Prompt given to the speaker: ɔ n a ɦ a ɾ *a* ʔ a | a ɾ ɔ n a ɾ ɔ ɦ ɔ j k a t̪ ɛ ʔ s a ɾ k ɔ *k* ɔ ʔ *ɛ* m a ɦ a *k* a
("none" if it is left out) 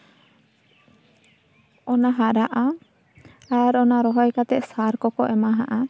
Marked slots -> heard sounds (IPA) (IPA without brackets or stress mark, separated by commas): a, k, ɛ, ʔ